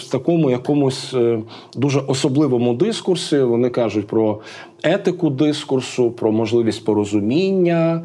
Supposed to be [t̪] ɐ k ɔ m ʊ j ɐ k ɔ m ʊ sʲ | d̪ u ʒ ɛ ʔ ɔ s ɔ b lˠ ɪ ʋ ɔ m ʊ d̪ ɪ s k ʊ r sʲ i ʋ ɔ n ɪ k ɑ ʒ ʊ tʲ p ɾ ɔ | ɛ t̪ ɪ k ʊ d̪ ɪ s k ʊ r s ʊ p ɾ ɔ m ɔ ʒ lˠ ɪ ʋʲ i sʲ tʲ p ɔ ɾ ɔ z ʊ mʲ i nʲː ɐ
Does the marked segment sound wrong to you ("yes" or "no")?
no